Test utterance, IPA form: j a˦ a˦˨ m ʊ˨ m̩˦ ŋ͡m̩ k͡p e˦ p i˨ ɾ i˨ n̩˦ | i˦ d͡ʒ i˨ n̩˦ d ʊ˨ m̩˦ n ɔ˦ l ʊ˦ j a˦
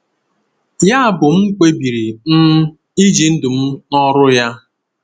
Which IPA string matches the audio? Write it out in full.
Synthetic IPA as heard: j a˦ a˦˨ b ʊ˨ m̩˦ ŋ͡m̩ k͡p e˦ b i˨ ɾ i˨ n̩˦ | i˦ d͡ʒ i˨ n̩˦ d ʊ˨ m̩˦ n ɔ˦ ɾ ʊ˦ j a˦

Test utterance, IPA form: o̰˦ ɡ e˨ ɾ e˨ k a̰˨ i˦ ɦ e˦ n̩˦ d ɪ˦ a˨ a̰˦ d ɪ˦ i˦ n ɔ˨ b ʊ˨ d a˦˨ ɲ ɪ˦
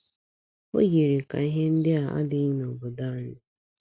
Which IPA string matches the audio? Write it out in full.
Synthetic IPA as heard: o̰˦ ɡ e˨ ɾ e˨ k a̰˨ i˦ ɦ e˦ n̩˦ d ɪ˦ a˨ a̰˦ d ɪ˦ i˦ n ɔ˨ b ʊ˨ d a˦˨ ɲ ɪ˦

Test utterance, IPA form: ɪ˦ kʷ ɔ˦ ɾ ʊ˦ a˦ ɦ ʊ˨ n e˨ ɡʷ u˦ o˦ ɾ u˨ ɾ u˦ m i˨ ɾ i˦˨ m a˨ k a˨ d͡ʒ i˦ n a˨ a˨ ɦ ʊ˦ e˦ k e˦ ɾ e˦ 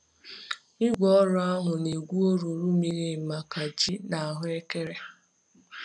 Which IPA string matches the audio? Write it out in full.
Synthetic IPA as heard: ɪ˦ ɡʷ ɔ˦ ɾ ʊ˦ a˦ ɦ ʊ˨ n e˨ ɡʷ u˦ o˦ ɾ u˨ ɾ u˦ m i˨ ɾ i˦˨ m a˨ k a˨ d͡ʒ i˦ n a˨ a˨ ɦ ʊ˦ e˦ k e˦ ɾ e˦

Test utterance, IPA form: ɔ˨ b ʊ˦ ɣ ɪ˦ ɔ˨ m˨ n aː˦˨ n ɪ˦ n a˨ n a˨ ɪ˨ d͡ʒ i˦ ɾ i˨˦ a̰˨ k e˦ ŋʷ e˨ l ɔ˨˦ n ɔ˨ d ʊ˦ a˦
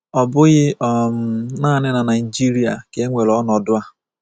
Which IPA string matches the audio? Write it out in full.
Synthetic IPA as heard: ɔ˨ b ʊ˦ ɣ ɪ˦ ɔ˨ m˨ n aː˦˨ n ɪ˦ n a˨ n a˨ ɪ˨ d͡ʒ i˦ ɾ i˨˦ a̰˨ k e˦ ŋʷ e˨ l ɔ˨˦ n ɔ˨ d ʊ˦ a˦

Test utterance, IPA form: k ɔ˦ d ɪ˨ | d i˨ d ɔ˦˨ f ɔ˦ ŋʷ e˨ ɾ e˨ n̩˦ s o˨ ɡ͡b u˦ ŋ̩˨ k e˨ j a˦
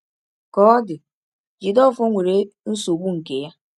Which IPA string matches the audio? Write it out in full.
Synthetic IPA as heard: k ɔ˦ d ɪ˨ | d͡ʒ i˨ d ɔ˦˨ f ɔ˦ ŋʷ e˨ ɾ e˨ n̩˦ s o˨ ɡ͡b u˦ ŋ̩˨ k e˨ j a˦

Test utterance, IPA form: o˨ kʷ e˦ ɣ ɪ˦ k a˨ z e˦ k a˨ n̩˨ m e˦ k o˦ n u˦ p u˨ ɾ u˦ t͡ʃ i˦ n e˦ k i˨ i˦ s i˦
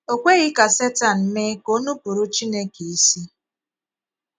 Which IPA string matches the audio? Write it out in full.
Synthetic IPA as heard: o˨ kʷ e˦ ɣ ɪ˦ k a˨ s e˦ t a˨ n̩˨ m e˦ k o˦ n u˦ p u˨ ɾ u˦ t͡ʃ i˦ n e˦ k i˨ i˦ s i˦

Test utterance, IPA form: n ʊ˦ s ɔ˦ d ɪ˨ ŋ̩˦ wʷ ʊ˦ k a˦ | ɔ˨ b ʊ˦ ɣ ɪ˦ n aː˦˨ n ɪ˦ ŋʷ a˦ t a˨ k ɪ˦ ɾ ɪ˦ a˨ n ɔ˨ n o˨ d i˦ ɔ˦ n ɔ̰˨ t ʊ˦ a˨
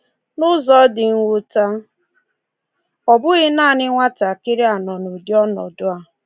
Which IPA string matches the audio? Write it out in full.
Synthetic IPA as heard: n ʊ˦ z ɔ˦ d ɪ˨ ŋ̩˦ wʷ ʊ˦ t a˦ | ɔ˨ b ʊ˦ ɣ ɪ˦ n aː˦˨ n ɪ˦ ŋʷ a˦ t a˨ k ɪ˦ ɾ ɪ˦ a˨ n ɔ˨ n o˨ d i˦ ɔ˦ n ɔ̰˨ d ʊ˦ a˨

